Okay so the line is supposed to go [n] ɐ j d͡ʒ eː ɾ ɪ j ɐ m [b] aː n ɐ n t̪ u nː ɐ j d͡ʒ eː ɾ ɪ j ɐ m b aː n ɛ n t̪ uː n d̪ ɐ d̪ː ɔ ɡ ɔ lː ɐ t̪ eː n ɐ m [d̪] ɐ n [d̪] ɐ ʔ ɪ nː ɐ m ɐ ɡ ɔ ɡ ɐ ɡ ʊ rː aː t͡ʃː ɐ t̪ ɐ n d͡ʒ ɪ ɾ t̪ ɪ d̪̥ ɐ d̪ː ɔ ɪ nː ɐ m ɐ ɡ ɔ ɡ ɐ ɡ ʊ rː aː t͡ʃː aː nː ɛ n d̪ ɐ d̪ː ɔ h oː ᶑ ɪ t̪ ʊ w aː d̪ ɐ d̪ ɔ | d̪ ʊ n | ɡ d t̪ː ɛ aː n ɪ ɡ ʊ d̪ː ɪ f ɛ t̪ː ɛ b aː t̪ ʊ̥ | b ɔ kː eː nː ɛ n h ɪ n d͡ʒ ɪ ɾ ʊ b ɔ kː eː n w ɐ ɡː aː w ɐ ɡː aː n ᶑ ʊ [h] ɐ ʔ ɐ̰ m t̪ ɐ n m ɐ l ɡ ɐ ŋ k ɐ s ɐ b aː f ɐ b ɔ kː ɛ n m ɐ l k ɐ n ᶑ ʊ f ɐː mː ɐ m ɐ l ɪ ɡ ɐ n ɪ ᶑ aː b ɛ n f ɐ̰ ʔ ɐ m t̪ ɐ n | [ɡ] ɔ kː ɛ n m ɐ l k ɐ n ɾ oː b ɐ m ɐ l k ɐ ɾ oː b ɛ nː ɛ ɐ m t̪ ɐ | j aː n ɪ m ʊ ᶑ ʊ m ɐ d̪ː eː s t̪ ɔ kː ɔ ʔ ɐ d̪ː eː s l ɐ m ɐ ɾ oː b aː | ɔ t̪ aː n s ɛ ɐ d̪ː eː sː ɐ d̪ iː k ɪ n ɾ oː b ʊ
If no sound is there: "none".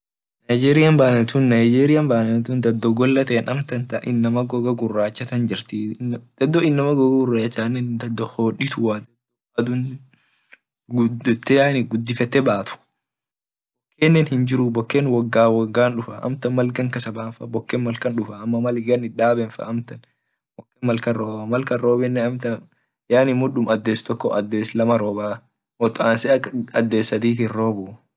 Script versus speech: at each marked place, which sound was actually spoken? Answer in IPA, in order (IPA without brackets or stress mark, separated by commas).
n, b, t̪, t̪, f, b